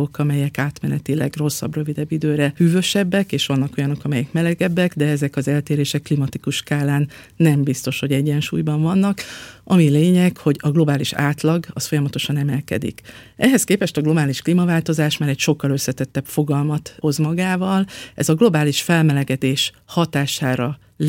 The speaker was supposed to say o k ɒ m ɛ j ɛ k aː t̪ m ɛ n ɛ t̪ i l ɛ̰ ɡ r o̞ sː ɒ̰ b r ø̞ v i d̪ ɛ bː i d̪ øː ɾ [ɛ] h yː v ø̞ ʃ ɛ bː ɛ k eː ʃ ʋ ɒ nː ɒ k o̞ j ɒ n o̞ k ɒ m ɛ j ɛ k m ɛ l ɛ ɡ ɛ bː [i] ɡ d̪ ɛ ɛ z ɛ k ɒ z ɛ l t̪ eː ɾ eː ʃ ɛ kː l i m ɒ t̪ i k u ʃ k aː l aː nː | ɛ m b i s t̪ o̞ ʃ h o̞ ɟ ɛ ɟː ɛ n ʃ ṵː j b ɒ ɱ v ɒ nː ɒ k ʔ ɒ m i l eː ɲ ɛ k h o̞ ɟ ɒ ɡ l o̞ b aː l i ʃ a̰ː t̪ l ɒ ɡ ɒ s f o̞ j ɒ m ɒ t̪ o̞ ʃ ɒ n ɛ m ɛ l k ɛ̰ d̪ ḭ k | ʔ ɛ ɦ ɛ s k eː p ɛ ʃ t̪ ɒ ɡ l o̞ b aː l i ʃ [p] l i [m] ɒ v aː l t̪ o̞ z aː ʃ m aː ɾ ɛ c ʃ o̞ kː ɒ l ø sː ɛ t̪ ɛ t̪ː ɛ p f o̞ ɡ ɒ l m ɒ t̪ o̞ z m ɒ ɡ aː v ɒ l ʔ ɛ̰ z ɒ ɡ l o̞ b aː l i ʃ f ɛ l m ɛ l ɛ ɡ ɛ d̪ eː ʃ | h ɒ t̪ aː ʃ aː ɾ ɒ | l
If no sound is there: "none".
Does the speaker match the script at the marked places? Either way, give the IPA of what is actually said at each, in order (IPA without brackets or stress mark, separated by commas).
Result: ɛ, ɛ, k, m